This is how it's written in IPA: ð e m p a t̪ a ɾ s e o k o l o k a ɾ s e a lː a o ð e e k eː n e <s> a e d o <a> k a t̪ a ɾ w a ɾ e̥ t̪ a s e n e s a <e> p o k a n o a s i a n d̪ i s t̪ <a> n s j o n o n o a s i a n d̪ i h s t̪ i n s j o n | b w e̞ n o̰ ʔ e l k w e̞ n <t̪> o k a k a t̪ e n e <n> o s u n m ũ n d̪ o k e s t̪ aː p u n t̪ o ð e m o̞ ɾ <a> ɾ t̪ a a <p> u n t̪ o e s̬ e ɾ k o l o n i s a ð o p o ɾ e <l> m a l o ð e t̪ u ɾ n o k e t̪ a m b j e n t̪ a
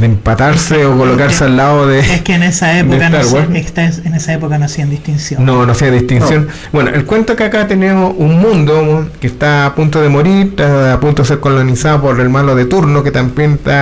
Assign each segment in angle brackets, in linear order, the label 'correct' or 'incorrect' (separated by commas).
correct, incorrect, correct, incorrect, correct, incorrect, incorrect, correct, correct